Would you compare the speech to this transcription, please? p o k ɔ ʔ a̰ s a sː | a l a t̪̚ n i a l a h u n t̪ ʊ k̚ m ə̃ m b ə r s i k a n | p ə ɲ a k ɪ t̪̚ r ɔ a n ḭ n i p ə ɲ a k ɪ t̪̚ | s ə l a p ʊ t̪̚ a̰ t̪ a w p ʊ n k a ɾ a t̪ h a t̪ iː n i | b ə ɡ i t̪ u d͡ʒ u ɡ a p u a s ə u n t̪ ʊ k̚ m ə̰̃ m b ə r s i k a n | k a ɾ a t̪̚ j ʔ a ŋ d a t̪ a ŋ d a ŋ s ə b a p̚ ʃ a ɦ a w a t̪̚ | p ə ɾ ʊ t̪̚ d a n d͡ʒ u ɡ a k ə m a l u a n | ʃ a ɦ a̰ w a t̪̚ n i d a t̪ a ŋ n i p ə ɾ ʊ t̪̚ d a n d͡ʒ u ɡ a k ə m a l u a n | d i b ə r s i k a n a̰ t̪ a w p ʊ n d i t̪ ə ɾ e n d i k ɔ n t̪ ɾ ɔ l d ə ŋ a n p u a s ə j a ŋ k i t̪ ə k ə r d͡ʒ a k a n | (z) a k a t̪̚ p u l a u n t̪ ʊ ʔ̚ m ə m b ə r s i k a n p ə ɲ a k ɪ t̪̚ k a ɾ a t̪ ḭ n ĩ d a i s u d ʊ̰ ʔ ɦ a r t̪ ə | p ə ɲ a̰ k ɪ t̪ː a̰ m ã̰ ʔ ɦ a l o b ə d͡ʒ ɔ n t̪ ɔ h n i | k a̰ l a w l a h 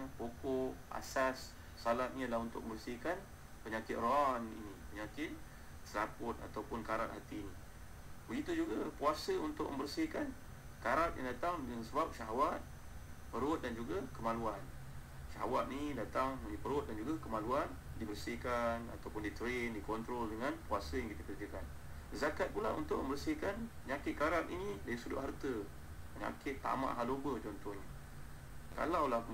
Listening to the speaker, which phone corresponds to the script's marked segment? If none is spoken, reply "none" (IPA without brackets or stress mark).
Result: z